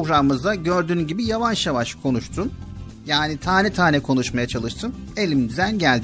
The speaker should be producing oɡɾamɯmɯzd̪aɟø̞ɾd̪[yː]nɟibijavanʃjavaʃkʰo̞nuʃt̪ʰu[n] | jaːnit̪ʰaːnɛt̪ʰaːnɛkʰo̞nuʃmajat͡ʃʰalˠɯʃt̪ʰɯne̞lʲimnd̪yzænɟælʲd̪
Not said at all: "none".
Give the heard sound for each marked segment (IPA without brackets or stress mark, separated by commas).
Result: yː, n